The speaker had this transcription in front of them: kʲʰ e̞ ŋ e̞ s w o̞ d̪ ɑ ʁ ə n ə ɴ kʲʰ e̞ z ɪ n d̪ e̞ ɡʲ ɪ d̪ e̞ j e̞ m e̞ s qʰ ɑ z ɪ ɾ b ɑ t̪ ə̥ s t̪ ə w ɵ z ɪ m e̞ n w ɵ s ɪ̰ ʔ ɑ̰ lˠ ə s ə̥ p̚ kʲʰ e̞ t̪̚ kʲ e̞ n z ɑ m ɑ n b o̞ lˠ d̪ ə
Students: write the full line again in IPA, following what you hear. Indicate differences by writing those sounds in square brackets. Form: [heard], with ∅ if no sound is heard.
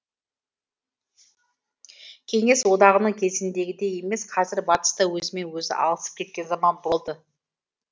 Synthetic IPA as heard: kʲʰ e̞ ŋ e̞ s w o̞ d̪ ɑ ʁ ə n ə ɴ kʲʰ e̞ z ɪ n d̪ e̞ ɡʲ ɪ d̪ e̞ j e̞ m e̞ s qʰ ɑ z ɪ ɾ b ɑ t̪ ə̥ s t̪ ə w ɵ z ɪ m e̞ n w ɵ [z] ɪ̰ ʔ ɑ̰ lˠ ə s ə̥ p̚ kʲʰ e̞ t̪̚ kʲ e̞ n z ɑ m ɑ n b o̞ lˠ d̪ ə